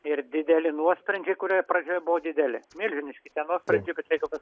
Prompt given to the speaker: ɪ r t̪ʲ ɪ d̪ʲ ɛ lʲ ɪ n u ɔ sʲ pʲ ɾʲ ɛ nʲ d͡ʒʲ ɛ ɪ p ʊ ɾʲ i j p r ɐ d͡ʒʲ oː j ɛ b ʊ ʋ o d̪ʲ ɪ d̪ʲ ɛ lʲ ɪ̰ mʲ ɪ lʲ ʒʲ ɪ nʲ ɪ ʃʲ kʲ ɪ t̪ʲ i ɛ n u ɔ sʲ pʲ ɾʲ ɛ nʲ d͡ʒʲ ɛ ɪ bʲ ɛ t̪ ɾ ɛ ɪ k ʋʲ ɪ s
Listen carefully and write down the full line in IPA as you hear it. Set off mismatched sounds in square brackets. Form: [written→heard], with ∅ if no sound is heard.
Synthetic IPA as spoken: ɪ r [t̪ʲ→d̪ʲ] ɪ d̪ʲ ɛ lʲ ɪ n u ɔ sʲ pʲ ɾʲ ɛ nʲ d͡ʒʲ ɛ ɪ [p→k] ʊ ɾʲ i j p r ɐ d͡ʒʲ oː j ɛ b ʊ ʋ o d̪ʲ ɪ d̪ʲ ɛ lʲ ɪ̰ mʲ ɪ lʲ ʒʲ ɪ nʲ ɪ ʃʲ kʲ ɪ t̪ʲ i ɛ n u ɔ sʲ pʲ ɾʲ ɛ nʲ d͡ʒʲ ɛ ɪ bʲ ɛ t̪ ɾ ɛ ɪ k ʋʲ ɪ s